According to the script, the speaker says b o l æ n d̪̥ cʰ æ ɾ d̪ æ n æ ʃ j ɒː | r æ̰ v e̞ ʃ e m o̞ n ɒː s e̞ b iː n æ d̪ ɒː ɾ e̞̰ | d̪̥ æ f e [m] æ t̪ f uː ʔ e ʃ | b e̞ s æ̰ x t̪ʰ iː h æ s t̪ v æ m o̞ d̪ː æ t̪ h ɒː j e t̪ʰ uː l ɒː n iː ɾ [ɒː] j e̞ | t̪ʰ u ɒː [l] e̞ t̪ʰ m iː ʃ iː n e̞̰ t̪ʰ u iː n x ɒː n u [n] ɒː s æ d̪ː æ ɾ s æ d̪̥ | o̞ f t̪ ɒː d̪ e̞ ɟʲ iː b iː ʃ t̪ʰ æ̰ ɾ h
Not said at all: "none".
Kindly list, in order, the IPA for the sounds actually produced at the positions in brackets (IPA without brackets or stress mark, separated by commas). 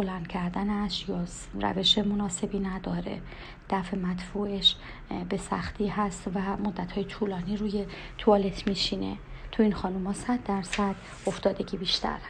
m, uː, l, m